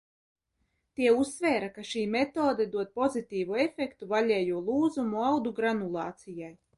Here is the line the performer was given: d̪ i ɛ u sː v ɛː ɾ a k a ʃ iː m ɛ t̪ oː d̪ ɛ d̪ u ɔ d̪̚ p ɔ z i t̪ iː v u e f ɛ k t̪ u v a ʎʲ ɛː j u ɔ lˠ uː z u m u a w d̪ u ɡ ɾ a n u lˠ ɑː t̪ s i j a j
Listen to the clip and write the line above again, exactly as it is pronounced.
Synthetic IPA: t̪ i ɛ u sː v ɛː ɾ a k a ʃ iː m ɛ t̪ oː d̪ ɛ d̪ u ɔ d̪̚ p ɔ z i t̪ iː v u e f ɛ k t̪ u v a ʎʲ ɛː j u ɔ lˠ uː z u m u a w d̪ u ɡ ɾ a n u lˠ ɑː t̪ s i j a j